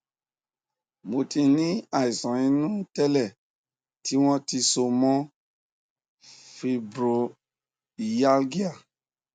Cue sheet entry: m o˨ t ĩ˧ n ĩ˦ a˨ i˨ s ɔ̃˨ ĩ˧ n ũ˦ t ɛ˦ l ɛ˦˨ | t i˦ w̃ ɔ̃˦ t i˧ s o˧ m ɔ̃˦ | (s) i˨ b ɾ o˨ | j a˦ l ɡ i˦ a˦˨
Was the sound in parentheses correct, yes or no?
no